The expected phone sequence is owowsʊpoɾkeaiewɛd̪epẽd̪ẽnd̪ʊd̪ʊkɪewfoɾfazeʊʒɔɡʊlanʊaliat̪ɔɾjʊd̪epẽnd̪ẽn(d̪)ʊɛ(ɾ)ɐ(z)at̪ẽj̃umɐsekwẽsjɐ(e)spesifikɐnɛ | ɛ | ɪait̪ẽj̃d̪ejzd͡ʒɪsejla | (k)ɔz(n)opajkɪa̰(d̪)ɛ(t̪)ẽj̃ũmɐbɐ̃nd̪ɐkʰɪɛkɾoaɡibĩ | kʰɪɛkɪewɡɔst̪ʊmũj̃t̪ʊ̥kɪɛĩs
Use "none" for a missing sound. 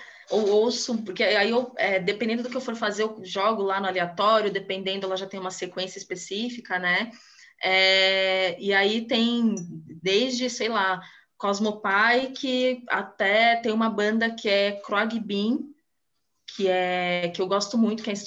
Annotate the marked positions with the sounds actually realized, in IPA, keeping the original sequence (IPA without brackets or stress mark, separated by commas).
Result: d̪, l, ʒ, i, k, m, t̪, t̪